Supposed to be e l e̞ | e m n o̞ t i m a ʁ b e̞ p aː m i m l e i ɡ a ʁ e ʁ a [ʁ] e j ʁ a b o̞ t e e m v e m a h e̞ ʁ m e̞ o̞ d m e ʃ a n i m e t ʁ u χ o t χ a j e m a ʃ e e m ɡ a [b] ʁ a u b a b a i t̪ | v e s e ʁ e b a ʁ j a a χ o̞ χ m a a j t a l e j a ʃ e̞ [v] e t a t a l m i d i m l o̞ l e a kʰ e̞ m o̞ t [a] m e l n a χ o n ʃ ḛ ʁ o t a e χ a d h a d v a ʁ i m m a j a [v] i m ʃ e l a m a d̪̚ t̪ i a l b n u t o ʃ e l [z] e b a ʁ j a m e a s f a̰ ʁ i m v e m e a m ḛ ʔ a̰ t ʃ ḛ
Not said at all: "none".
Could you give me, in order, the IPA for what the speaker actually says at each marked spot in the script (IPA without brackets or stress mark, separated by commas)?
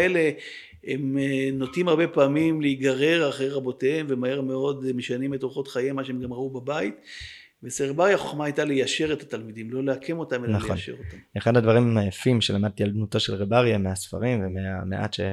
χ, m, ʁ, a, f, ʁ